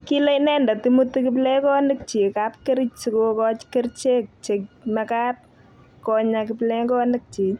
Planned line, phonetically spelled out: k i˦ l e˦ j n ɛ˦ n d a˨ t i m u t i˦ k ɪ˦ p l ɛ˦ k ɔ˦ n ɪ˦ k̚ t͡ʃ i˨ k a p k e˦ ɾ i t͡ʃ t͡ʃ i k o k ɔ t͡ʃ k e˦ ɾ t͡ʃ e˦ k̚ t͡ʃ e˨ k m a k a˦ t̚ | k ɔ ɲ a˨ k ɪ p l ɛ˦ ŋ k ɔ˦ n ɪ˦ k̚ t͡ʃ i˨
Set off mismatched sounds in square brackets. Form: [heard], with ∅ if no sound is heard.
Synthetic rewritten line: k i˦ l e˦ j n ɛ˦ n d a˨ t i m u t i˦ k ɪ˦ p l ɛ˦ k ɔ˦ n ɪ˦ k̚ t͡ʃ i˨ k a p k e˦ ɾ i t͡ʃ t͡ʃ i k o k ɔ t͡ʃ k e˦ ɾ t͡ʃ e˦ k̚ t͡ʃ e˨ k m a k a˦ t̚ | k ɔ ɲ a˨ k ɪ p l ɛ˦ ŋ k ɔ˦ n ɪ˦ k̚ t͡ʃ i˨